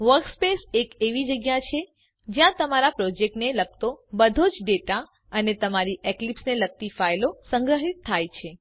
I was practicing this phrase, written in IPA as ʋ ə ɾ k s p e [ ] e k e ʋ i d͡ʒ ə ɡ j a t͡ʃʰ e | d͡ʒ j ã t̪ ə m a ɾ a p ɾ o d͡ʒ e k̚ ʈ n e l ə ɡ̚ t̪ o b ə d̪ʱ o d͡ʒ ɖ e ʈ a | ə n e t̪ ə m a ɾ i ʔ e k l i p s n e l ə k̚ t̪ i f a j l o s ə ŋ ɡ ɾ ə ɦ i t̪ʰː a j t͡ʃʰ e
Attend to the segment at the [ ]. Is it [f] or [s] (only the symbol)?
s